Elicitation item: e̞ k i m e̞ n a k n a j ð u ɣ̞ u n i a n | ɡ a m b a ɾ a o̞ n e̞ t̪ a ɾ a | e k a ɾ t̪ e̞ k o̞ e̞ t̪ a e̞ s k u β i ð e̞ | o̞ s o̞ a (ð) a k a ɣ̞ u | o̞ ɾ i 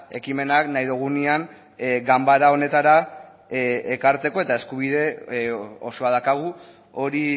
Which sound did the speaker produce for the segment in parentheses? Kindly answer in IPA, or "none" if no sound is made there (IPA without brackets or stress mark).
ð